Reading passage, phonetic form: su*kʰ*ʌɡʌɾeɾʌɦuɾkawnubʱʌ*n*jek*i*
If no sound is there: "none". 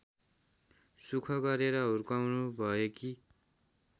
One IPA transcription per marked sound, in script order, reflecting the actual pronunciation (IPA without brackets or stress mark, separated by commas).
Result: kʰ, none, i